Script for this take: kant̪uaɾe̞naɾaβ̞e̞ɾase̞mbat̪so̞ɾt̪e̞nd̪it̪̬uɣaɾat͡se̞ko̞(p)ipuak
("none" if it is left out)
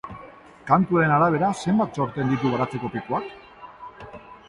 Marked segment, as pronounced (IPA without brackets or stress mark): p